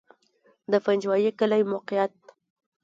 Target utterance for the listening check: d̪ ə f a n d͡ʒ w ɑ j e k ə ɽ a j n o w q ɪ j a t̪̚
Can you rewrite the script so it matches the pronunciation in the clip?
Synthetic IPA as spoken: d̪ ə f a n d͡ʒ w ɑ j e k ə l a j m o q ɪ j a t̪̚